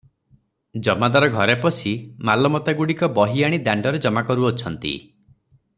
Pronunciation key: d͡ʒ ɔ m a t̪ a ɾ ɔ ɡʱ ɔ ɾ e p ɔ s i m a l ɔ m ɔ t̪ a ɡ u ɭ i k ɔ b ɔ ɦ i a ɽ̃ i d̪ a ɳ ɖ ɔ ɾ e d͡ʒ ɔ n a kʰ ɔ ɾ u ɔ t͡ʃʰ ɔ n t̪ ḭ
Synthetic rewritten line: d͡ʒ ɔ m a d̪ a ɾ ɔ ɡʱ ɔ ɾ e p ɔ s i m a l ɔ m ɔ t̪ a ɡ u ɽ i k ɔ b ɔ ɦ i a ɽ̃ i d̪ a ɳ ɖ ɔ ɾ e d͡ʒ ɔ m a k ɔ ɾ u ɔ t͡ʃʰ ɔ n t̪ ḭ